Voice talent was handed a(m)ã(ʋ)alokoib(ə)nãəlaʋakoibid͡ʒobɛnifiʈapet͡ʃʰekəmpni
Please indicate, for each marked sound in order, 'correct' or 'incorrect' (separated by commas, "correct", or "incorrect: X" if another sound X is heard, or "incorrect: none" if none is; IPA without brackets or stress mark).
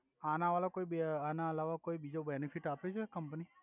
incorrect: n, correct, incorrect: a